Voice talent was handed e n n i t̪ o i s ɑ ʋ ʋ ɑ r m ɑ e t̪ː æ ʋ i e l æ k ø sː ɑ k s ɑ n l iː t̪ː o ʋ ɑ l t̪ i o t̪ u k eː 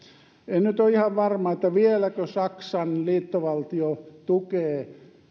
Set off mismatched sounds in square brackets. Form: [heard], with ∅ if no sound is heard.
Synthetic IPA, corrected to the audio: e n n [y] t̪ o i [h] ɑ ʋ ʋ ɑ r m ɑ e t̪ː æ ʋ i e l æ k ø [s] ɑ k s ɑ n l iː t̪ː o ʋ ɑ l t̪ i o t̪ u k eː

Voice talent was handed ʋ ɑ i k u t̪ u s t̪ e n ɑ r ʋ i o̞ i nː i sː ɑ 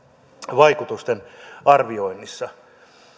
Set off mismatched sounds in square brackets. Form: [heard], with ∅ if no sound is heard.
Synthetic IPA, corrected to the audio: ʋ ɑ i k u t̪ u s t̪ e n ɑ r ʋ i o̞ i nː i sː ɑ

